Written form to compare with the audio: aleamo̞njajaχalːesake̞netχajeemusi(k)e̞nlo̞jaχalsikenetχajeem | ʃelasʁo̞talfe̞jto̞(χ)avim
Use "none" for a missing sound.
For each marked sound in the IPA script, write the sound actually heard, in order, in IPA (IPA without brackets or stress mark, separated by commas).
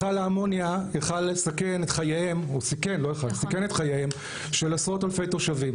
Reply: k, ʃ